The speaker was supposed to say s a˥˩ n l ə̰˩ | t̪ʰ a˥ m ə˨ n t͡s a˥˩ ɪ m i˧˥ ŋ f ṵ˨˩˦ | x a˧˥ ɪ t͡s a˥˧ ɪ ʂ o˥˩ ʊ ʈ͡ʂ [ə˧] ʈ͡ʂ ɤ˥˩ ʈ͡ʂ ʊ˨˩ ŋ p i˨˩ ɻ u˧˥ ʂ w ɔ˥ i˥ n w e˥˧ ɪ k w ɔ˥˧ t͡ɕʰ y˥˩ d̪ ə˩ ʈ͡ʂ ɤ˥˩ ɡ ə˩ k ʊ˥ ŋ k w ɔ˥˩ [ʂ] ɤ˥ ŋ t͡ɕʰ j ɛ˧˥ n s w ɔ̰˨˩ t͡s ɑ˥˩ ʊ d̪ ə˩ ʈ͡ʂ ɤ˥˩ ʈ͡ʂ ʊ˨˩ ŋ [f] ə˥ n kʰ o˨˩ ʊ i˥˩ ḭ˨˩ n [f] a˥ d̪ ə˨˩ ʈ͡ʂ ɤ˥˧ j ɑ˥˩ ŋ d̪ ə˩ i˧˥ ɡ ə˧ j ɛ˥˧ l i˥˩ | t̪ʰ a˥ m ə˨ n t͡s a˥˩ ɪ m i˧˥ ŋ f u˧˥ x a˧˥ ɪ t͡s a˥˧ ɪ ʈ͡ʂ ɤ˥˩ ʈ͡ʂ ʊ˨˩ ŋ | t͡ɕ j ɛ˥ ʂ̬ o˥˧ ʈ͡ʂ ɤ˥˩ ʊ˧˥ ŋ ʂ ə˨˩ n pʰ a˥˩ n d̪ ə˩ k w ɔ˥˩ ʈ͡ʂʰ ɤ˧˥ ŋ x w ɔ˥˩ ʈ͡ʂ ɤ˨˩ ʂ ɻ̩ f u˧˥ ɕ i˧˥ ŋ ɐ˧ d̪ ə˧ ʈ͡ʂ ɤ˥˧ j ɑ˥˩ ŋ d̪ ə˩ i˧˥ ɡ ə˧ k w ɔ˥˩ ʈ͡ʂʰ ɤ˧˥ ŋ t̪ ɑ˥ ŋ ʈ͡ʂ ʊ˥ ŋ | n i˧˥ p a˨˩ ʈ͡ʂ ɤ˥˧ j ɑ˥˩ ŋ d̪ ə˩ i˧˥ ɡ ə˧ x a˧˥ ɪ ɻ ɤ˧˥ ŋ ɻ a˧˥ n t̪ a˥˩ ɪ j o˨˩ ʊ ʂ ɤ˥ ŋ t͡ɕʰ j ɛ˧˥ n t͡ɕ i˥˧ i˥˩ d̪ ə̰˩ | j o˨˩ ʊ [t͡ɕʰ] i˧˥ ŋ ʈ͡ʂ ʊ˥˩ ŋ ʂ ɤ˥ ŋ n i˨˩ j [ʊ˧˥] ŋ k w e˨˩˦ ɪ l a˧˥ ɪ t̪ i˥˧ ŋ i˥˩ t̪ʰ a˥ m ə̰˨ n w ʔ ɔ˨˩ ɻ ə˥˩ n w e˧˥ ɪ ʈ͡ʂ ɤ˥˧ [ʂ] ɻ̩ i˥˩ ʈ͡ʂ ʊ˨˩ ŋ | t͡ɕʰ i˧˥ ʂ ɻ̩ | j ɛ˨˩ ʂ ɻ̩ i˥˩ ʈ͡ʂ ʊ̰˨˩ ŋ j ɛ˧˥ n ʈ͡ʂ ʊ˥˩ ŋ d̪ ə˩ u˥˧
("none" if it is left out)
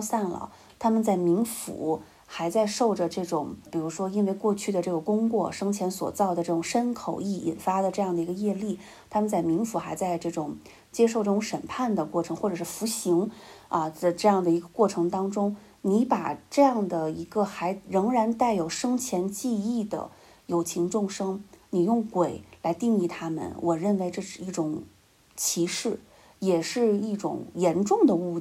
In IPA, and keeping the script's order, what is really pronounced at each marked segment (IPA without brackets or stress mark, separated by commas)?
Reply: ə˩, ʂ, ʂ, f, t͡ɕʰ, ʊ˥˩, ʂ